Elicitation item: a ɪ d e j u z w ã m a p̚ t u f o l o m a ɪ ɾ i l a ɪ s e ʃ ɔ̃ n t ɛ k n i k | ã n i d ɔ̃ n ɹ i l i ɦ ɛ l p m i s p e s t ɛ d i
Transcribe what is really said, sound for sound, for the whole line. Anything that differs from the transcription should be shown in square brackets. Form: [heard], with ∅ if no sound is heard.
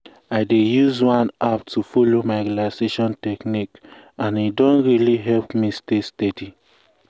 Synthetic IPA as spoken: a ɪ d e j u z w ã [n] a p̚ t u f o l o m a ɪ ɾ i l a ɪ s e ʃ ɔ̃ n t ɛ k n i k | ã n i d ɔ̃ n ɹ i l i ɦ ɛ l p m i s [t] e s t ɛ d i

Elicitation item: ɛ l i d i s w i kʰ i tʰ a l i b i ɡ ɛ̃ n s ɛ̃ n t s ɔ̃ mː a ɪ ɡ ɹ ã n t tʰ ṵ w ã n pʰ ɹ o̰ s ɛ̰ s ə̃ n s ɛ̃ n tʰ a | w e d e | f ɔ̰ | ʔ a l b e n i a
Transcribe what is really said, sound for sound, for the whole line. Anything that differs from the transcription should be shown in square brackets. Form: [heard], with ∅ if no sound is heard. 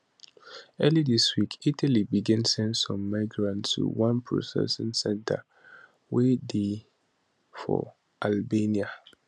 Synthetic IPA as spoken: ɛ l i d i s w i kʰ i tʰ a l i b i ɡ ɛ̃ n s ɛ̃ n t s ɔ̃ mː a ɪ ɡ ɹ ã n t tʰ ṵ w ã n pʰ ɹ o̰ s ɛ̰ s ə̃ n s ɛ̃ n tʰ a | w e d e | f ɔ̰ | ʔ a l b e n i a

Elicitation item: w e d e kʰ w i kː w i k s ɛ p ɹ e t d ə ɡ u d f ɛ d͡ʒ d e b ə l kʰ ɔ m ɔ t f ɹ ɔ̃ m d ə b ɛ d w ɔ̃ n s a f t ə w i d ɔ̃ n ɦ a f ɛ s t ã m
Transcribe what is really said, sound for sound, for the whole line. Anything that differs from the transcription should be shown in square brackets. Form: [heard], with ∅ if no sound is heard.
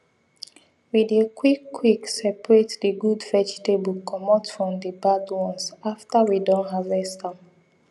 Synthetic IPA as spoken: w [i] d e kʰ w i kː w i k s ɛ p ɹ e t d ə ɡ u d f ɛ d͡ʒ [t] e b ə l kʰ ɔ m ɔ t f ɹ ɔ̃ m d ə b [a] d w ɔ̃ n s a f t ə w i d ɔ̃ n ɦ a [v] ɛ s t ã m

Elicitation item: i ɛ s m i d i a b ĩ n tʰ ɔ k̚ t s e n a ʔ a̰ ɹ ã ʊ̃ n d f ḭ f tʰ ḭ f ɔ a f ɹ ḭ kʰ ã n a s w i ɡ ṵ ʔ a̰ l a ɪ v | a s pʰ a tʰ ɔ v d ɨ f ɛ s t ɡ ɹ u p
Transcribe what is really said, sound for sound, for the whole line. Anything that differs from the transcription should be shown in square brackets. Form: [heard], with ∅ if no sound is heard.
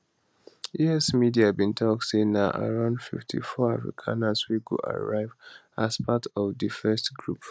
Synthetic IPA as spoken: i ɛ s m i d i a b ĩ n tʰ ɔ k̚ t s e n a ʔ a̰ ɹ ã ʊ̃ n d f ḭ f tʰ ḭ f ɔ a f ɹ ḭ kʰ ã n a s w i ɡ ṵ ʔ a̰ [ɹ] a ɪ v | a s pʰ a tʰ ɔ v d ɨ f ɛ s t ɡ ɹ u p

